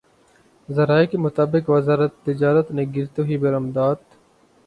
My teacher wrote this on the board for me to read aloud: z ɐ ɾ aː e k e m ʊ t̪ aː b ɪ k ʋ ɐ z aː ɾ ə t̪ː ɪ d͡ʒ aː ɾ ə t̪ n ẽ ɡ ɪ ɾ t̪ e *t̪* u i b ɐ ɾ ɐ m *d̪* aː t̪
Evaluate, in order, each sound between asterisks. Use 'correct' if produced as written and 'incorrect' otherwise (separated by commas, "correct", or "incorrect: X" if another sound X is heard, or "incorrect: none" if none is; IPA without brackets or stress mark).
incorrect: none, correct